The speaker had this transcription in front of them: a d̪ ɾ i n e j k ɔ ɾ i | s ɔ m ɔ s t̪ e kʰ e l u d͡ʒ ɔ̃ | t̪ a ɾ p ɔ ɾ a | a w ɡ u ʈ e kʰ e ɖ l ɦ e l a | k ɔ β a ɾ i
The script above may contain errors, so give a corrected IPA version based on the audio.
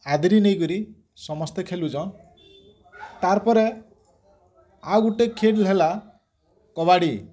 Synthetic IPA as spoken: a d̪ ɾ i n e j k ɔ ɾ i | s ɔ m ɔ s t̪ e kʰ e l u d͡ʒ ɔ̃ | t̪ a ɾ p ɔ ɾ e | a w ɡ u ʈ e kʰ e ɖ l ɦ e l a | k ɔ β a ɽ i